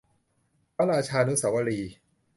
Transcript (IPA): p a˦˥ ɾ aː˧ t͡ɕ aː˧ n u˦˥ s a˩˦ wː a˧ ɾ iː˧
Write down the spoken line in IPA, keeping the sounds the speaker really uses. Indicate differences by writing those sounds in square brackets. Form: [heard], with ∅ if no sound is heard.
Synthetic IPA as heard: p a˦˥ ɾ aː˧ [t͡ɕʰ] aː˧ n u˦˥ s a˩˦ [w] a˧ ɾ iː˧